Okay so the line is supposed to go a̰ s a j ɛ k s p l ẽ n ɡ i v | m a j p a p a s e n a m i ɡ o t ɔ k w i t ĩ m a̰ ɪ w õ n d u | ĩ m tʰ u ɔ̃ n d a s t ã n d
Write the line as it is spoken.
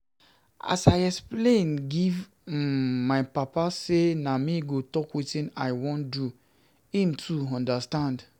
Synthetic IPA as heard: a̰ s a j ɛ k s p l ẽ n ɡ i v | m a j p a p a s e n a m i ɡ o t ɔ k w i t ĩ n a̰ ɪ w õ n d u | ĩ m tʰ u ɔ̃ n d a s t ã n d